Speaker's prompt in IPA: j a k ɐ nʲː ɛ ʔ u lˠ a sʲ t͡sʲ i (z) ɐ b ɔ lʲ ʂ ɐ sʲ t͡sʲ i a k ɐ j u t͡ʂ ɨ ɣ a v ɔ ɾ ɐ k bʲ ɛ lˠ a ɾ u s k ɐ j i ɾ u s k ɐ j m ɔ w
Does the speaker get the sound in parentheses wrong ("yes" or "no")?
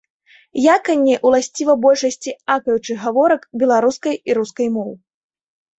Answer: yes